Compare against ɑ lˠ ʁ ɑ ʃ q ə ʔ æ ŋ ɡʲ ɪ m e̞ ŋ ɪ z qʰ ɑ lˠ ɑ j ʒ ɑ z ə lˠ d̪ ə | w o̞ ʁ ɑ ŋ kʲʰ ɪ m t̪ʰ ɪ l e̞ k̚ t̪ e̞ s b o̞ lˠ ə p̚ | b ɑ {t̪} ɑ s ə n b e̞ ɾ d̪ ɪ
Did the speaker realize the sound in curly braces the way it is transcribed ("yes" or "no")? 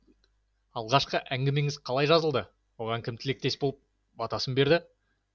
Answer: yes